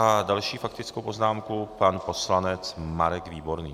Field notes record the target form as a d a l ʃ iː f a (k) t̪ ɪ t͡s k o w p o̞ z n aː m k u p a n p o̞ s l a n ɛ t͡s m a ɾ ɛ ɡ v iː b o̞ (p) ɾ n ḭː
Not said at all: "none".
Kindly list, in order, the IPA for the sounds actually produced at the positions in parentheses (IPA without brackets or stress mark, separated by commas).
k, none